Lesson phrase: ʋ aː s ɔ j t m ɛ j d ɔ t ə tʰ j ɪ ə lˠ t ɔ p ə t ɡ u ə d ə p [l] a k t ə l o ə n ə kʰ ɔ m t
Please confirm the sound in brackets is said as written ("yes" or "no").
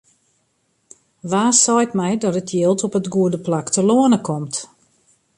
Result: yes